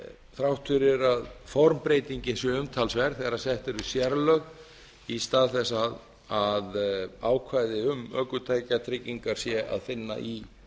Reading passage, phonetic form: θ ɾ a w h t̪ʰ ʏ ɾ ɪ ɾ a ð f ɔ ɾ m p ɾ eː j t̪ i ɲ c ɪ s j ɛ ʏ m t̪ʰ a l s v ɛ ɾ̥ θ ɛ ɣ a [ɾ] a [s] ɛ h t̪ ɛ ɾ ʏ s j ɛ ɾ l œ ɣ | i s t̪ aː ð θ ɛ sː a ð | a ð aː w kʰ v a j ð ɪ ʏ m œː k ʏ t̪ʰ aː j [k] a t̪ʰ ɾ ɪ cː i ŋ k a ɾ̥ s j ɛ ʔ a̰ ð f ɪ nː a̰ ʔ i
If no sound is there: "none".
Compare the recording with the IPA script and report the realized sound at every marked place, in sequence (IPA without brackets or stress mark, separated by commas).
ɾ, s, c